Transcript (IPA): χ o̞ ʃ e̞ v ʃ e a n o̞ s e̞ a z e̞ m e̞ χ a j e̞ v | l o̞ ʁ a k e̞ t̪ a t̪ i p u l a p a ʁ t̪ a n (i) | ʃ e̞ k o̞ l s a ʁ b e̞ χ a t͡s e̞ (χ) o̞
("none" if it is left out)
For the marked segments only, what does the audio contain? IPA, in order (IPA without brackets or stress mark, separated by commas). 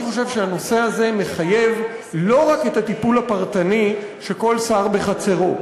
i, ʁ